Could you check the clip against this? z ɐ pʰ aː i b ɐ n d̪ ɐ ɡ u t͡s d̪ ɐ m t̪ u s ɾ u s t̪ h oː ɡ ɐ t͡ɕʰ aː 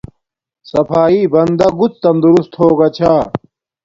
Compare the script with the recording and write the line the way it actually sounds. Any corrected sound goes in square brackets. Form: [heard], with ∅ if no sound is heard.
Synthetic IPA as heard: [s] ɐ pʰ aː i b ɐ n d̪ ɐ ɡ u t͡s [t̪] ɐ m [d̪] u [∅] ɾ u s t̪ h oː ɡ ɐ t͡ɕʰ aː

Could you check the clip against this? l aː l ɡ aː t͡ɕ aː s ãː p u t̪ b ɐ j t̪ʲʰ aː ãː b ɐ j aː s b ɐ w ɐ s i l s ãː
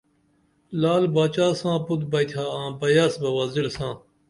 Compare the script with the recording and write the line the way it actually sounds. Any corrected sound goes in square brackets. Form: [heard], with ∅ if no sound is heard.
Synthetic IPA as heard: l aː l [b] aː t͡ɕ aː s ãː p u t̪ b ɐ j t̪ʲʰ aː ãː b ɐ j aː s b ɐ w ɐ [z] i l s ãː

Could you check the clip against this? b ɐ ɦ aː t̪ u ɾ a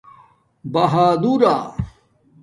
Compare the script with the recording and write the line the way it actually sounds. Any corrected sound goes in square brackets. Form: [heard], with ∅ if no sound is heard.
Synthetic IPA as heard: b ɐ ɦ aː [d̪] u ɾ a

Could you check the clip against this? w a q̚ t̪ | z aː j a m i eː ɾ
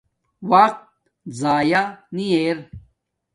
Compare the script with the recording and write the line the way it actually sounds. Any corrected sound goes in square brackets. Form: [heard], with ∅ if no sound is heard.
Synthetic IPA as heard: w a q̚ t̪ | z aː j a [n] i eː ɾ

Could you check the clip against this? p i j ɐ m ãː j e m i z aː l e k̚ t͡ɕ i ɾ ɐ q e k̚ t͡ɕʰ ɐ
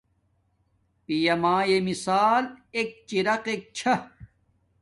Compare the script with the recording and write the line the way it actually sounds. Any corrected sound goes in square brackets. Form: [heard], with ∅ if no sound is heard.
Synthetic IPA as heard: p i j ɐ m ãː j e m i [s] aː l e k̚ t͡ɕ i ɾ ɐ q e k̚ t͡ɕʰ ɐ

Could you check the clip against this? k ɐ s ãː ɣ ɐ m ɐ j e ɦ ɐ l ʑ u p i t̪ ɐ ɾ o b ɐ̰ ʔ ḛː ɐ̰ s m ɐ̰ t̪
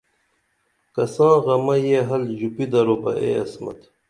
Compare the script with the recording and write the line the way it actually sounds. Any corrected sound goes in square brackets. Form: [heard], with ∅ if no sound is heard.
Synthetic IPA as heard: k ɐ s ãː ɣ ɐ m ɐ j e ɦ ɐ l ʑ u p i [d̪] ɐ ɾ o b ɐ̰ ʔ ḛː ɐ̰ s m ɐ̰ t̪

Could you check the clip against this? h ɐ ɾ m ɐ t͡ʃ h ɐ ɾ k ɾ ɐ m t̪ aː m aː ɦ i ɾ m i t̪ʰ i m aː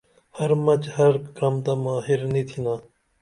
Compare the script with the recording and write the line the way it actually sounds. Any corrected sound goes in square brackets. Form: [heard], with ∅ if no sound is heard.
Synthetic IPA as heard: h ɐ ɾ m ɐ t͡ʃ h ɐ ɾ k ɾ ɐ m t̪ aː m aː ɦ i ɾ [n] i t̪ʰ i [n] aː

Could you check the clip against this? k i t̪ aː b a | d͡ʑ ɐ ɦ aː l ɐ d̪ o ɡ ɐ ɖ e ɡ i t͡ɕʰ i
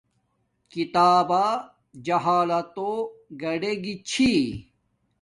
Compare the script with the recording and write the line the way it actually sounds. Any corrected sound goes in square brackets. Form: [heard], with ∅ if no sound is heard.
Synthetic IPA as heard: k i t̪ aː b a | d͡ʑ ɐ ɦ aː l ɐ [t̪] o ɡ ɐ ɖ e ɡ i t͡ɕʰ i

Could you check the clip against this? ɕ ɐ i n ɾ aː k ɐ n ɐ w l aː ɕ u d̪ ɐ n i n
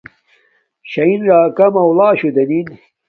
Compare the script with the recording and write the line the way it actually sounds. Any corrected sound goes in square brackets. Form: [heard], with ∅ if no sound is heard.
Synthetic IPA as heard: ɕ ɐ i n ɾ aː k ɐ [m] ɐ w l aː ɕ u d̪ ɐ n i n

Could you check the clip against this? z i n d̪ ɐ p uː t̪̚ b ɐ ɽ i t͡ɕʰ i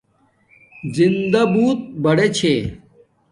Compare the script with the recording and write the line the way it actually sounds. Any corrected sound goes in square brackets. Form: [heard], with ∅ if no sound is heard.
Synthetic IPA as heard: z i n d̪ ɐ [b] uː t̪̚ b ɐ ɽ [e] t͡ɕʰ [e]

